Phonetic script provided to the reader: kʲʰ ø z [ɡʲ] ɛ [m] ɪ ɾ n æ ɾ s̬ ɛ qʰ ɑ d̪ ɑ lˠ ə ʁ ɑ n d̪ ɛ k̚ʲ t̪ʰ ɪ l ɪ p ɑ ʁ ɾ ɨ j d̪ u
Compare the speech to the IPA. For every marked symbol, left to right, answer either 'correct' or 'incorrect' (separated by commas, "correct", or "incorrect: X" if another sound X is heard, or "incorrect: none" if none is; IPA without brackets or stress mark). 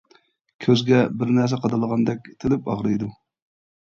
correct, incorrect: b